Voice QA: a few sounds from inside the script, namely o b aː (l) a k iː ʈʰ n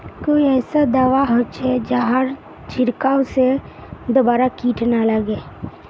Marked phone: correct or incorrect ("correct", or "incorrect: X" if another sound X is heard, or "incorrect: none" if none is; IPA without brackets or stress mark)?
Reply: incorrect: ɾ